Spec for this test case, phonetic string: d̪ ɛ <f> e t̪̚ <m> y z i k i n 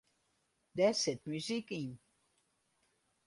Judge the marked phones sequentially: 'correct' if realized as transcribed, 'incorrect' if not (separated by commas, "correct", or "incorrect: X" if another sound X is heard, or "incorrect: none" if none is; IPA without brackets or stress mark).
incorrect: s, correct